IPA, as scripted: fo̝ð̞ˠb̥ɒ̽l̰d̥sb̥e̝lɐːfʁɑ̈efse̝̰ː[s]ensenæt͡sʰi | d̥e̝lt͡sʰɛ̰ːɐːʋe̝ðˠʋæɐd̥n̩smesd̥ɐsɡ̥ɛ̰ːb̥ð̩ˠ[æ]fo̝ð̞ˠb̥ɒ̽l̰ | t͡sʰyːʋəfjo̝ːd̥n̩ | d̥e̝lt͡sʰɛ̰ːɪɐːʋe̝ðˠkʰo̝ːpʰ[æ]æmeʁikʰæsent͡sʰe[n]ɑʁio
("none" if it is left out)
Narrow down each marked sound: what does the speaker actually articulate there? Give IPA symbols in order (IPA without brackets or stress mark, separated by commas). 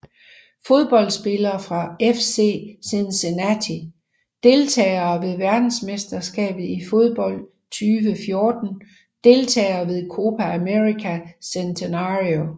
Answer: s, i, æ, n